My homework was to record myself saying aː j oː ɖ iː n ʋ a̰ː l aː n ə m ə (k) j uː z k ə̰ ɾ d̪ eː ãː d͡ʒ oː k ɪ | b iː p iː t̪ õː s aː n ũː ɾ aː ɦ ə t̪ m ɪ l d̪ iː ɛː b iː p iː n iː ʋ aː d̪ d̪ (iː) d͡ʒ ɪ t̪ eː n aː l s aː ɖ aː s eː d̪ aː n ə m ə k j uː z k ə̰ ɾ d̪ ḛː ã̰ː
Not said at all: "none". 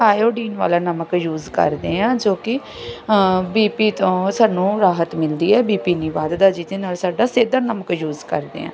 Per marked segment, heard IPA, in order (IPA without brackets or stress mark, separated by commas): k, aː